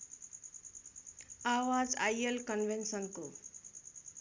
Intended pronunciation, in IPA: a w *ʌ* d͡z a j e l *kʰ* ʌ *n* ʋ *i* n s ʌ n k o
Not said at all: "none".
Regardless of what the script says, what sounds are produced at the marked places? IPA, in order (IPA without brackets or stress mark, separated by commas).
a, k, n, e